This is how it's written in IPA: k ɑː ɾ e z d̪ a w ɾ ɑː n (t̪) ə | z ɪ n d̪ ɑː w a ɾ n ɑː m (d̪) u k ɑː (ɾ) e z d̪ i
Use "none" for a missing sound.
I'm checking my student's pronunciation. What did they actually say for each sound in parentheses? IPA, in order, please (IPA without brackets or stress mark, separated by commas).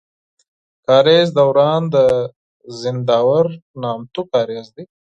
d̪, t̪, ɾ